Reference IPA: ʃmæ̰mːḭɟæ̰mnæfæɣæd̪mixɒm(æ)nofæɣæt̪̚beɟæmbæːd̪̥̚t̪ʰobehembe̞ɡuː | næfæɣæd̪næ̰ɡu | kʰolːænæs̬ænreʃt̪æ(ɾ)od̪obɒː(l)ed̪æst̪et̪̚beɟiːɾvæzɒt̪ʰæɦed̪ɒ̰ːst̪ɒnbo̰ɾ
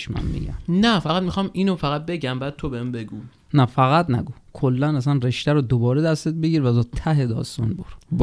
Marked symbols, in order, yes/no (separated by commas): no, yes, no